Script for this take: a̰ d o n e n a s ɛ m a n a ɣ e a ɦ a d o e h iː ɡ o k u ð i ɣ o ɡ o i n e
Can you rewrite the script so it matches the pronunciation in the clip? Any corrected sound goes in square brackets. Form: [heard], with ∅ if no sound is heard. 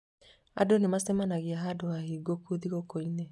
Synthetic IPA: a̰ d o n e [m] a s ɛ m a n a ɣ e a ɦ a d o [a] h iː ɡ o k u ð i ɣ o [k] o i n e